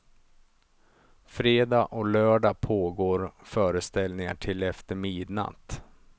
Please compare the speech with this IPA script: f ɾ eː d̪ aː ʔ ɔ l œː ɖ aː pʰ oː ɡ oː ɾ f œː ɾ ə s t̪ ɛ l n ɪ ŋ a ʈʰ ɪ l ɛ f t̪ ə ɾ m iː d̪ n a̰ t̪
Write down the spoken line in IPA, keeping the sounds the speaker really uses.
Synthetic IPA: f ɾ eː d̪ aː ʔ ɔ l œː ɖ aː pʰ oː ɡ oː ɾ f œː ɾ ə s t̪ ɛ l n ɪ ŋ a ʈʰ ɪ l ɛ f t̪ ə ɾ m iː d̪ n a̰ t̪